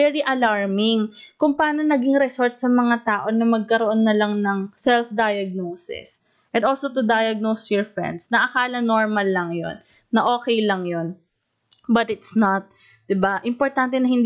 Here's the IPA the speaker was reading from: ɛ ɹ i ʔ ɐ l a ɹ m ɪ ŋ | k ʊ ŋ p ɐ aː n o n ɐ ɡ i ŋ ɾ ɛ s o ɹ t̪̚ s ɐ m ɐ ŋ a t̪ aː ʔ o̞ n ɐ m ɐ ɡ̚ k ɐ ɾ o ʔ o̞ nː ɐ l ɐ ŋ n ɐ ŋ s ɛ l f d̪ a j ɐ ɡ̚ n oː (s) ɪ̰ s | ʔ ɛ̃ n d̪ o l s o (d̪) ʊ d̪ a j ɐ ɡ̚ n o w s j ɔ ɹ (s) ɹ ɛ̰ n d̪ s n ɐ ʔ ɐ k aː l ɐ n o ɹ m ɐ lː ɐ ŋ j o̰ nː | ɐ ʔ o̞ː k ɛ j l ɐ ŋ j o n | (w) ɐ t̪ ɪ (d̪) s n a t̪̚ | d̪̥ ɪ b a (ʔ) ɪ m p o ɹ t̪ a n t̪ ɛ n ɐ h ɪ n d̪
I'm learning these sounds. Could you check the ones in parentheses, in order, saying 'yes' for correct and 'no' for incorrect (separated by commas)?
yes, no, no, no, no, yes